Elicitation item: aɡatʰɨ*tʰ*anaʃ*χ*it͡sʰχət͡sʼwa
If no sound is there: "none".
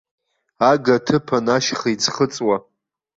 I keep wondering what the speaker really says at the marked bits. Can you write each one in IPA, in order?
pʰ, χ

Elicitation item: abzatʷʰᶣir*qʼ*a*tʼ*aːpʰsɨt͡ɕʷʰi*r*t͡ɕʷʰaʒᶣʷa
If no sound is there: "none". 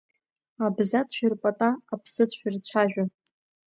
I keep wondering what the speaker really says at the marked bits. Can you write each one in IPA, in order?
pʼ, tʼ, r

